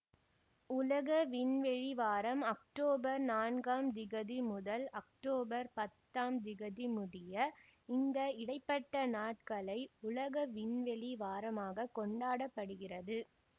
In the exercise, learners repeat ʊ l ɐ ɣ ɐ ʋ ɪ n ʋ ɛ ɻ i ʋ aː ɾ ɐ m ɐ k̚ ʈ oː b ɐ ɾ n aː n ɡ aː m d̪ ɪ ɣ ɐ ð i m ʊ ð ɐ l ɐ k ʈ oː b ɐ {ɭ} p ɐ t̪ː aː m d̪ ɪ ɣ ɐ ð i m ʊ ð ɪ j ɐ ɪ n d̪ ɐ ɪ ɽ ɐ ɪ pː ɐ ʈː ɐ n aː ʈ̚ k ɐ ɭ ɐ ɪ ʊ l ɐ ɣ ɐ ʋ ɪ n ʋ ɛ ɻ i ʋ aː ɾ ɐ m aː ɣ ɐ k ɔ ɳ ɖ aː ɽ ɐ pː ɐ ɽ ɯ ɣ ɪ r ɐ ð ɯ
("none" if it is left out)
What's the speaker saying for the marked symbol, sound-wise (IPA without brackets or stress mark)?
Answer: ɾ